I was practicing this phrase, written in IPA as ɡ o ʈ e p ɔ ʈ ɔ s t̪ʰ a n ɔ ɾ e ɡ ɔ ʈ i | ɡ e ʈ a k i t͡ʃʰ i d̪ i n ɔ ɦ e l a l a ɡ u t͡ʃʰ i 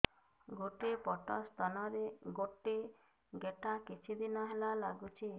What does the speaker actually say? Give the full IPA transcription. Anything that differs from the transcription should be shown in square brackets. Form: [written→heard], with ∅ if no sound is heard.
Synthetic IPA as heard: ɡ o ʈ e p ɔ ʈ ɔ s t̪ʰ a n ɔ ɾ e ɡ [ɔ→o] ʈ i | ɡ e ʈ a k i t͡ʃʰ i d̪ i n ɔ ɦ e l a l a ɡ u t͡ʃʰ i